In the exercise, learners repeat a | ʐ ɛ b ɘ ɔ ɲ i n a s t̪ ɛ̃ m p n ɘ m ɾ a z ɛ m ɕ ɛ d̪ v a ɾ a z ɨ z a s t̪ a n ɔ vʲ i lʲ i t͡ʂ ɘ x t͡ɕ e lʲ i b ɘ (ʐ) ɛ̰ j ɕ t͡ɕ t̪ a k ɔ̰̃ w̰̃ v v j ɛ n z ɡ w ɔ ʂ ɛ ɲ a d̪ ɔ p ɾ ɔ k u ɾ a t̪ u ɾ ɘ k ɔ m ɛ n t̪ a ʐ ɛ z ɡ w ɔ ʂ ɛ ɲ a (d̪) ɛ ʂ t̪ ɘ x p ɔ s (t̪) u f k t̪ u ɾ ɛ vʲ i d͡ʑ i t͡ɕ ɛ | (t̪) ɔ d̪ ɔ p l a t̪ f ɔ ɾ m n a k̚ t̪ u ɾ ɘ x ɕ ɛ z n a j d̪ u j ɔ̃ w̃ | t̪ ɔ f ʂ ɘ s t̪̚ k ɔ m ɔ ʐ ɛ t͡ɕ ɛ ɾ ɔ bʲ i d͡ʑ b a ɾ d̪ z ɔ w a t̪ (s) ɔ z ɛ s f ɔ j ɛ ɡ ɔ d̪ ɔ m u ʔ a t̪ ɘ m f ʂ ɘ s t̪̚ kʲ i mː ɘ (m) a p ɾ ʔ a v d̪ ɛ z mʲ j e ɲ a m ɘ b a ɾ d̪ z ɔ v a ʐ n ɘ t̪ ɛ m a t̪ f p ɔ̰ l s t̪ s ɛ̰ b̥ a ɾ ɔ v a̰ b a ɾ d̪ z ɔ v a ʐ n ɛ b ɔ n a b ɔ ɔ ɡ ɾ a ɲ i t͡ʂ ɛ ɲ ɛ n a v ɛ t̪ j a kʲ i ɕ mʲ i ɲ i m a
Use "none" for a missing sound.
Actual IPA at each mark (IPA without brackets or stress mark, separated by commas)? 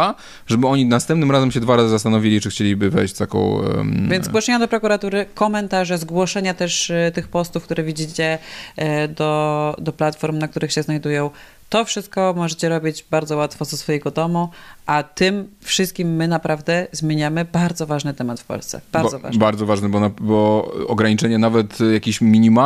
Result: v, t̪, t̪, d̪, f, n